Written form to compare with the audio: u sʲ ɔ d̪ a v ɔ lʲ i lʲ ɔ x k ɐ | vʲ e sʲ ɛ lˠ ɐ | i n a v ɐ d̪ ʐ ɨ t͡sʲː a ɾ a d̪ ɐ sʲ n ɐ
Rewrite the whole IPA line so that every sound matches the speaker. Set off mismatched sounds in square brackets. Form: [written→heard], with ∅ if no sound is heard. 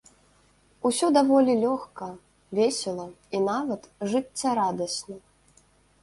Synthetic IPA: u sʲ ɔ d̪ a v ɔ lʲ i lʲ ɔ x k ɐ | vʲ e sʲ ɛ lˠ ɐ | i n a v ɐ [d̪→t̪] ʐ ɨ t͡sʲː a ɾ a d̪ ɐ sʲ n ɐ